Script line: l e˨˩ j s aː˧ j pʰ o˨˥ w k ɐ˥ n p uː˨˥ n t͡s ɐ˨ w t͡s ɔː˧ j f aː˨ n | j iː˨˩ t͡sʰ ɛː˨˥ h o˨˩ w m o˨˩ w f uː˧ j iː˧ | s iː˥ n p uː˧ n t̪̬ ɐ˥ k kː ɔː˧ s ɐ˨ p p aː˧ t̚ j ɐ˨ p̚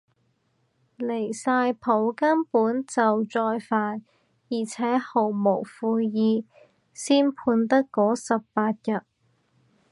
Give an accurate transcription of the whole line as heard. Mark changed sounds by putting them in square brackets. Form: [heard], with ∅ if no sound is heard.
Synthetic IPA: l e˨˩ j s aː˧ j pʰ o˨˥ w k ɐ˥ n p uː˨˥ n t͡s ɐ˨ w t͡s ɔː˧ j f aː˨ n | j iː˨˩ t͡sʰ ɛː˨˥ h o˨˩ w m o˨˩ w f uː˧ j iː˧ | s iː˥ n [pʰ] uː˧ n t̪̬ ɐ˥ k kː [ɔː˨˥] s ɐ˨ p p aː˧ t̚ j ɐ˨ [t̚]